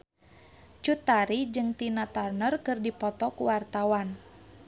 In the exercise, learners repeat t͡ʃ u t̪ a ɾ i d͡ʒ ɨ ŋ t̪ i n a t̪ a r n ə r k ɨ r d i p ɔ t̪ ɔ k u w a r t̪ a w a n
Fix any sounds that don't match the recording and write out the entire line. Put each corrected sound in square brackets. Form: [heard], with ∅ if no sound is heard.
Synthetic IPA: t͡ʃ u t̪ a ɾ i d͡ʒ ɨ ŋ t̪ i n a t̪ a r n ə r k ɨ r d i p ɔ t̪ ɔ k u w a r t̪ a w a n